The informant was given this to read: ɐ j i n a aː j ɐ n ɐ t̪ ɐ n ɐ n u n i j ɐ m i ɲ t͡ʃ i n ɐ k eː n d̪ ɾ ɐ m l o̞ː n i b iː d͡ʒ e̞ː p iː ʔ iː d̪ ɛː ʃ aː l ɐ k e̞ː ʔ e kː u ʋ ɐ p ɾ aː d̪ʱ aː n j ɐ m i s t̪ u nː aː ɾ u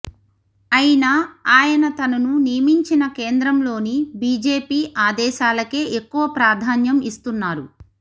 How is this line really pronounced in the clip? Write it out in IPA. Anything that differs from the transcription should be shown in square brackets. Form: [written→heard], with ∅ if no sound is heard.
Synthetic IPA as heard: ɐ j i n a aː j ɐ n ɐ t̪ ɐ n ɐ n u n i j ɐ m i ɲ t͡ʃ i n ɐ k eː n d̪ ɾ ɐ m l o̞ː n i b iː d͡ʒ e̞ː p iː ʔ [iː→aː] d̪ ɛː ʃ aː l ɐ k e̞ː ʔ e kː u ʋ ɐ p ɾ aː d̪ʱ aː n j ɐ m i s t̪ u nː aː ɾ u